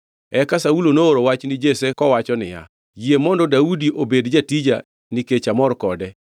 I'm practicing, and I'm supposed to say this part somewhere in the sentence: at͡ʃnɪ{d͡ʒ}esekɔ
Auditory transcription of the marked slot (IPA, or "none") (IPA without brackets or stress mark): d͡ʒ